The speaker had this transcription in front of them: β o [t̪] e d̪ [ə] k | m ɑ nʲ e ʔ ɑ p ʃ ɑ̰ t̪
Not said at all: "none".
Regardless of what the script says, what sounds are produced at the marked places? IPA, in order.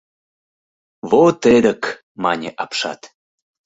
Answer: t̪, ə

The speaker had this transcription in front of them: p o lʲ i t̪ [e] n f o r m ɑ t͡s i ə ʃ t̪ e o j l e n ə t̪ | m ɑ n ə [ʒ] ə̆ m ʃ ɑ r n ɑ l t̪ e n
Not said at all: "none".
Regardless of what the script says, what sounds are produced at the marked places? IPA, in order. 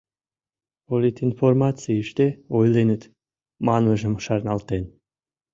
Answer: i, ʒ

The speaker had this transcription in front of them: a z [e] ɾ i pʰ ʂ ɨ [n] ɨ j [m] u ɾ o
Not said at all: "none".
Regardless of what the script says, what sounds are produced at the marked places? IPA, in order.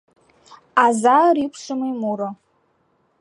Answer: a, m, m

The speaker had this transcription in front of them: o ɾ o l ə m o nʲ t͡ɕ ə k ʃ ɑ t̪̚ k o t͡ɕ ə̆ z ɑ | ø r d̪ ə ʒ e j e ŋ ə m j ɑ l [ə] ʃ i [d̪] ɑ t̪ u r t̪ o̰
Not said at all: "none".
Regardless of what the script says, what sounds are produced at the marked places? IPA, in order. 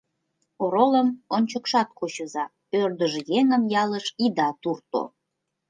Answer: ə, d̪

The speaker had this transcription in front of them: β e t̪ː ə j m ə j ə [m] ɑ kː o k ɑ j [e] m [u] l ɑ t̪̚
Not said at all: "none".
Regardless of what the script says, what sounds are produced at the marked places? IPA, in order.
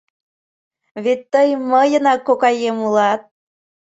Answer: n, e, u

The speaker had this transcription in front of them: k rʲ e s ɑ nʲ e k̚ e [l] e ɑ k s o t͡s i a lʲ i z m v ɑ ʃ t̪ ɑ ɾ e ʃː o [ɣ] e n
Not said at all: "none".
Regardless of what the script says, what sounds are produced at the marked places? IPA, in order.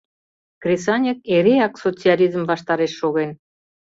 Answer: ɾ, ɣ

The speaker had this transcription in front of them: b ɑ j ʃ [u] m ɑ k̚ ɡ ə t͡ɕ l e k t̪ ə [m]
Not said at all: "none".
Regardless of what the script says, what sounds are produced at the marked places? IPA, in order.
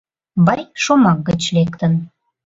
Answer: o, n

